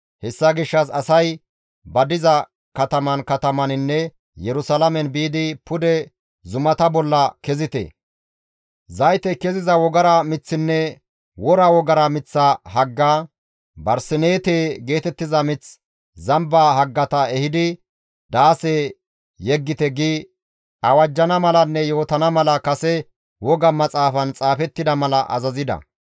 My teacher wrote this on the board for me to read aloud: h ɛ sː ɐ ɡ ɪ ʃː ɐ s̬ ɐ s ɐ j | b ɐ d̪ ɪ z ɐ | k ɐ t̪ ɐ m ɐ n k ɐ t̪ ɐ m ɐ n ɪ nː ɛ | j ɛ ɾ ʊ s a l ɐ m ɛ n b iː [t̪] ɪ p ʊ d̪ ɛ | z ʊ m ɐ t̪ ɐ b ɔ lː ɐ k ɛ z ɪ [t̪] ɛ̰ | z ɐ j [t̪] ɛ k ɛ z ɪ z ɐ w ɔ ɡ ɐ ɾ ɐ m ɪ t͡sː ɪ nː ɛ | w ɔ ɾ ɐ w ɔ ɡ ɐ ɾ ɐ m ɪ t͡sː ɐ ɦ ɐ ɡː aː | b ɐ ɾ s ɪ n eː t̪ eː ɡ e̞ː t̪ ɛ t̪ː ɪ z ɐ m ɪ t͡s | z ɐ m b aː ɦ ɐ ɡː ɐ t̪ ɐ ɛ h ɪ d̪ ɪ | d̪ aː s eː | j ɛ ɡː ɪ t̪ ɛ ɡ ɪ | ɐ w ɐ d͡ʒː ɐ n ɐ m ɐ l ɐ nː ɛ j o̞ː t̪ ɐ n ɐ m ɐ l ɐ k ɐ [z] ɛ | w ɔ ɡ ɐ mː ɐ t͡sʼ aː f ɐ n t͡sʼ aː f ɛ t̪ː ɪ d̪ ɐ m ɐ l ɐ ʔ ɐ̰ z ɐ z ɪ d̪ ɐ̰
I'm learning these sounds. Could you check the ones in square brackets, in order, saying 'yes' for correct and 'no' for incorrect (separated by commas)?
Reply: no, yes, yes, no